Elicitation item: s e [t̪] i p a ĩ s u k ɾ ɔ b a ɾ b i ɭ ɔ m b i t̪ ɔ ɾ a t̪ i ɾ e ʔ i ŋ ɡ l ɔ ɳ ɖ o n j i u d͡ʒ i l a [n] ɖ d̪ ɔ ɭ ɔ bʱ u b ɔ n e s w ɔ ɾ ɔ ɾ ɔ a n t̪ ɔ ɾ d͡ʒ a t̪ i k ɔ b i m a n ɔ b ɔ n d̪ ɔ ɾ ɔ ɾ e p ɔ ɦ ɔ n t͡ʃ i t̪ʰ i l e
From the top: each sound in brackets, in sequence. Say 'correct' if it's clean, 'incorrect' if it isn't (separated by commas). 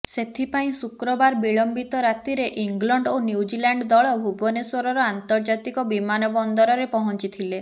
incorrect, incorrect